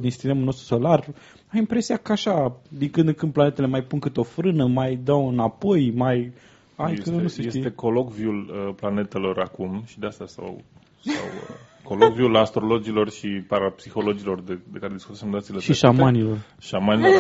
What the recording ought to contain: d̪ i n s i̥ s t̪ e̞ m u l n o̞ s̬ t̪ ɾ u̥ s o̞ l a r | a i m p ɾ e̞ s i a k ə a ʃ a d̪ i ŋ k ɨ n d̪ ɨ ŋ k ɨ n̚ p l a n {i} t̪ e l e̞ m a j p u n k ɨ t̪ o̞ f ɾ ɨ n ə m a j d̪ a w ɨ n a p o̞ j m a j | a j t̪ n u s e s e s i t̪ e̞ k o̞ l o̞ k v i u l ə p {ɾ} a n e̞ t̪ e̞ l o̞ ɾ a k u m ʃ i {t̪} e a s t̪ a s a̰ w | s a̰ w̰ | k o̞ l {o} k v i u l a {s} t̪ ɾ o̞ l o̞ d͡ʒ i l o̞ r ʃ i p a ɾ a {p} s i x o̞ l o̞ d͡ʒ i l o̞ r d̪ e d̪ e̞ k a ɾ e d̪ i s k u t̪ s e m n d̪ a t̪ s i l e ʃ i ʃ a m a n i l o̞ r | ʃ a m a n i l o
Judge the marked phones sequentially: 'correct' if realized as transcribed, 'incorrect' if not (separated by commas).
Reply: incorrect, incorrect, incorrect, correct, correct, correct